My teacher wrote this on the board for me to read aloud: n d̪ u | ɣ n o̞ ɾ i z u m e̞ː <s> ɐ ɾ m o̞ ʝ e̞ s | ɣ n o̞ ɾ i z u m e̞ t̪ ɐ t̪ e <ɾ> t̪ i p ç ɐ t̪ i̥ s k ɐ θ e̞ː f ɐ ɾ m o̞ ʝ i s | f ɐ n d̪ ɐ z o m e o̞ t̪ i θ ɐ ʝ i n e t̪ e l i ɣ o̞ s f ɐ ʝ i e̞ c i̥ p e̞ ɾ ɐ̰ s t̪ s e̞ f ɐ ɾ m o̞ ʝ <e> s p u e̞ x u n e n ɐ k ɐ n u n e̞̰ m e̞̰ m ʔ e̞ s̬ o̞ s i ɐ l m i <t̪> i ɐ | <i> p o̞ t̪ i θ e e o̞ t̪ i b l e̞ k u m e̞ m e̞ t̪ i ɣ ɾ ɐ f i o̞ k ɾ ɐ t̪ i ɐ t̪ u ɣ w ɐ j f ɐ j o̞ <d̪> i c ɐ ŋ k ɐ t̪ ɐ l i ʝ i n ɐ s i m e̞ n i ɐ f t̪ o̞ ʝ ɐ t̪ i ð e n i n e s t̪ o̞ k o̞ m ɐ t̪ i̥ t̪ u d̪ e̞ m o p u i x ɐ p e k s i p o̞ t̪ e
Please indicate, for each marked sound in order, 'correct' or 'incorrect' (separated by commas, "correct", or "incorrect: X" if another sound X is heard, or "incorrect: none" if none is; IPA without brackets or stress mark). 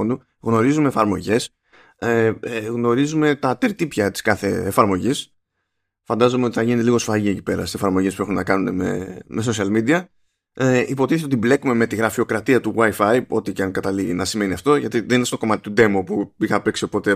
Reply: incorrect: f, correct, correct, incorrect: d̪, correct, incorrect: t̪